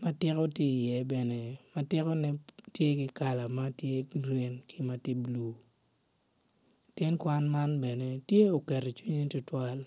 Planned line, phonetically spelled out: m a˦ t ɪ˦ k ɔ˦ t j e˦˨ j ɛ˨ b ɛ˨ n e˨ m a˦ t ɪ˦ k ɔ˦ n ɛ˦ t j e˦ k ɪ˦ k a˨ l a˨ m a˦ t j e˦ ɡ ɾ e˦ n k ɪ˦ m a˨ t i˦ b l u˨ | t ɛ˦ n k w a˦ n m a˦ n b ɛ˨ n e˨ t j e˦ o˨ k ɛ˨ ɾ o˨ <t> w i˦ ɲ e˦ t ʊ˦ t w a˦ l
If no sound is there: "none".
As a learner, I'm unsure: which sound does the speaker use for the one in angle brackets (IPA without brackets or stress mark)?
t͡ʃ